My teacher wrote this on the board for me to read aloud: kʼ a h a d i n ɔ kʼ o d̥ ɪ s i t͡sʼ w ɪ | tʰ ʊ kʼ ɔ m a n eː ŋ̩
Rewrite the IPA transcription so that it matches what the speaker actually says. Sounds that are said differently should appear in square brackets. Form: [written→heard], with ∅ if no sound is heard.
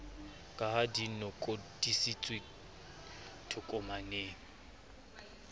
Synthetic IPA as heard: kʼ a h a d i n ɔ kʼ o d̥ [ɪ→i] s i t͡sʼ w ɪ | tʰ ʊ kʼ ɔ m a n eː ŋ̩